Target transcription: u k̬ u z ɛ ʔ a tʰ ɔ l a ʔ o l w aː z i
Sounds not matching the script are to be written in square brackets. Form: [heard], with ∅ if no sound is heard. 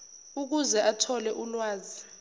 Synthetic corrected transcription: u k̬ u z ɛ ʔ a tʰ ɔ l [ɛ] ʔ [u] l w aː z i